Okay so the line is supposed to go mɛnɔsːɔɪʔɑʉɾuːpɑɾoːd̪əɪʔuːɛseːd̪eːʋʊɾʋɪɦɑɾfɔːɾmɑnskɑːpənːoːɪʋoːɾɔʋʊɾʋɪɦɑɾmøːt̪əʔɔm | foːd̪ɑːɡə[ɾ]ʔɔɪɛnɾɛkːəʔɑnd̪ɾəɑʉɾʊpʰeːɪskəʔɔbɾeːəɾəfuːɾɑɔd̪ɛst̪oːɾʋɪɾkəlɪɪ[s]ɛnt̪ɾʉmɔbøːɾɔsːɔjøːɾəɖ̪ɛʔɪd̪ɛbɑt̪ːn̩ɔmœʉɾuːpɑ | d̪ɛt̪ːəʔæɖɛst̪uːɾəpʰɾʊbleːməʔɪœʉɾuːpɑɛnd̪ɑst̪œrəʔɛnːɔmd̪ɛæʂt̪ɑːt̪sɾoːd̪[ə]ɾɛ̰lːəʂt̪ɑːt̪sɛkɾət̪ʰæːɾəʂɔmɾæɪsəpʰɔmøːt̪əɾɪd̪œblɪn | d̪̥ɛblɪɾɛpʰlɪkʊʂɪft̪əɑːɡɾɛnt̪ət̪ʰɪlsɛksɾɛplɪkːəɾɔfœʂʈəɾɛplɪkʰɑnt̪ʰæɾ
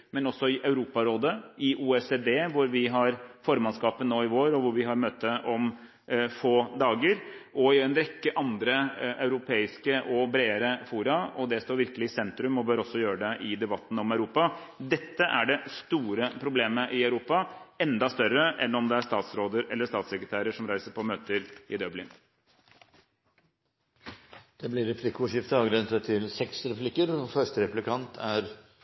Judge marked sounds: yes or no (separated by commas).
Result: yes, yes, yes